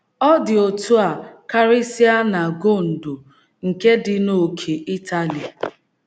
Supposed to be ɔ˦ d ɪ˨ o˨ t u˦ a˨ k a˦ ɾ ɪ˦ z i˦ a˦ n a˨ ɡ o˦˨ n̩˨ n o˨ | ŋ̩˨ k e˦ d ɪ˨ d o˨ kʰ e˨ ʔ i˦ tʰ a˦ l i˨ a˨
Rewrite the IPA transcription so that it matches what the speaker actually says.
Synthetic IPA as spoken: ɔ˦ d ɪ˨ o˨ t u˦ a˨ k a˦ ɾ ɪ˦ s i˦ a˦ n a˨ ɡ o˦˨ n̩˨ d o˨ | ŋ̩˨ k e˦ d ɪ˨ n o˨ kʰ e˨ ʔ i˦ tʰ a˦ l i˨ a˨